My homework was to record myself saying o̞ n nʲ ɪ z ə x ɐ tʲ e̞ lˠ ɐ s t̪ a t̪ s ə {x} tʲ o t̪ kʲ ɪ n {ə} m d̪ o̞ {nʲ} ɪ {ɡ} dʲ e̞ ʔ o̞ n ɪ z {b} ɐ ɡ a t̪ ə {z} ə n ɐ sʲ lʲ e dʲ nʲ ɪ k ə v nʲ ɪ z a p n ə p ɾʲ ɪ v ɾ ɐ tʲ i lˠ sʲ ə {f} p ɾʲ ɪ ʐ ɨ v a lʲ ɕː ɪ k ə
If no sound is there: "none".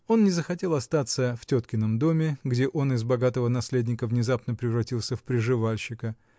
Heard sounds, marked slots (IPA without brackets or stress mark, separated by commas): f, ə, mʲ, ɡ, b, v, f